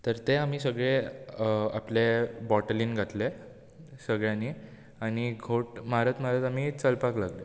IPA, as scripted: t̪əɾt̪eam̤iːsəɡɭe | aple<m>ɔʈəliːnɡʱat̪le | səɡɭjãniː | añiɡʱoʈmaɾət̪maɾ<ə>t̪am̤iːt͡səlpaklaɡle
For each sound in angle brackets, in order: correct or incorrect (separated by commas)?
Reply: incorrect, correct